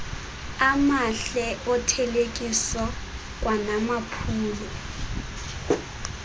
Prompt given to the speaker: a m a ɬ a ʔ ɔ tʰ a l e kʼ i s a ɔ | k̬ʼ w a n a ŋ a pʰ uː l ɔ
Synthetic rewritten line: a m a ɬ ɛ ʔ ɔ tʰ ɛ l e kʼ i s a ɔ | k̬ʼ w a n a m a pʰ uː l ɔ